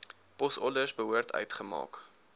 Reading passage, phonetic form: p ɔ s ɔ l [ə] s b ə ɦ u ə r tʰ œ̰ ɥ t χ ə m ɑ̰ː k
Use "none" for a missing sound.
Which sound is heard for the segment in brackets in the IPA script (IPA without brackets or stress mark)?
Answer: ə